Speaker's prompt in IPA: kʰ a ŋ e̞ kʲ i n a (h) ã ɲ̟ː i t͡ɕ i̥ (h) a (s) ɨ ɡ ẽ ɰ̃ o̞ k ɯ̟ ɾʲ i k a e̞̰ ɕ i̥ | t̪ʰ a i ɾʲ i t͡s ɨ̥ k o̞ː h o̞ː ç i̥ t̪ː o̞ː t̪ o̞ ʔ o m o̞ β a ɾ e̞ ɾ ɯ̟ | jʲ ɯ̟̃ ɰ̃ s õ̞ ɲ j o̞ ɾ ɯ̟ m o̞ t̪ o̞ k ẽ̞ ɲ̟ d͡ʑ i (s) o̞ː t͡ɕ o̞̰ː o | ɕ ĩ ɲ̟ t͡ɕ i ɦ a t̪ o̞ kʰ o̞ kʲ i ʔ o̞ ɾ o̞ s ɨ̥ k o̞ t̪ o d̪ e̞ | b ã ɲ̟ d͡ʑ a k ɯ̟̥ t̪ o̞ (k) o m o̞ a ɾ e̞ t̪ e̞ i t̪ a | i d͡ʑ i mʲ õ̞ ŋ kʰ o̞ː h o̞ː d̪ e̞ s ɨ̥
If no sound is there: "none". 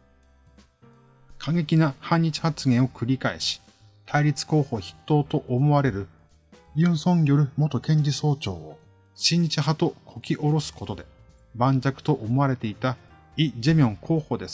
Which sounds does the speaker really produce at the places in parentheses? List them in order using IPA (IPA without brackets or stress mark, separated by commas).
h, h, t͡s, s, ʔ